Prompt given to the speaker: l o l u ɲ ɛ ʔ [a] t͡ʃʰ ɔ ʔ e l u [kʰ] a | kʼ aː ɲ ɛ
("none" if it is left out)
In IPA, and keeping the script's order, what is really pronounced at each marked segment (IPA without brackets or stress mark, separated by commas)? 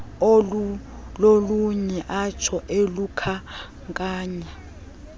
a, kʰ